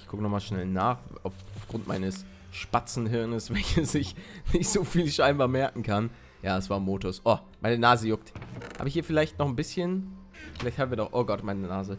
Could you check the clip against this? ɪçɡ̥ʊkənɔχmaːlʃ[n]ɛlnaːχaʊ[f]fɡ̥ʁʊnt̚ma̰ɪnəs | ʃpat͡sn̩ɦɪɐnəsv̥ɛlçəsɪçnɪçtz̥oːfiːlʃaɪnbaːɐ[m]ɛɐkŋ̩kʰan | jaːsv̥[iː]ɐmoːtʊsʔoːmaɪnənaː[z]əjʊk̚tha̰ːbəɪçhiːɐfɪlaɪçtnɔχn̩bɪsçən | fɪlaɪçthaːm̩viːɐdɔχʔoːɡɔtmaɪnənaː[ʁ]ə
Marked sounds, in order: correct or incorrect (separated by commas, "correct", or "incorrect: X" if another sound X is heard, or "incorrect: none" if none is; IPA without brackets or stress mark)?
correct, correct, correct, incorrect: aː, correct, incorrect: z